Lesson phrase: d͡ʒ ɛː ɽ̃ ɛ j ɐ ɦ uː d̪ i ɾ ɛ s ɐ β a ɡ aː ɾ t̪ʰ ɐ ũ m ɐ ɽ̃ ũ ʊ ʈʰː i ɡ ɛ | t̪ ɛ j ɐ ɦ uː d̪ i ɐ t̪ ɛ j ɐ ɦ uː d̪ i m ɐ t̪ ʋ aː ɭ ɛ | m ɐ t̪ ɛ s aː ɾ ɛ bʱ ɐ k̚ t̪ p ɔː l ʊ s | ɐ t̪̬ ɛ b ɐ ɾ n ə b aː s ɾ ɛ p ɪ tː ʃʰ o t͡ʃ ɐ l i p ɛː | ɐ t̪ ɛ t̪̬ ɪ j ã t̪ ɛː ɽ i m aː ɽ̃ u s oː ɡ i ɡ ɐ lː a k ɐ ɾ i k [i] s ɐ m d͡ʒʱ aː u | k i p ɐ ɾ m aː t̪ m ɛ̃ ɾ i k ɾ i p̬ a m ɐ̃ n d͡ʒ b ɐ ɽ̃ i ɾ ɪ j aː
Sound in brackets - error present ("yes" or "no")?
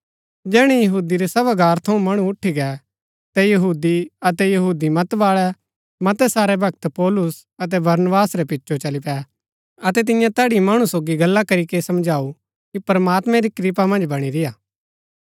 yes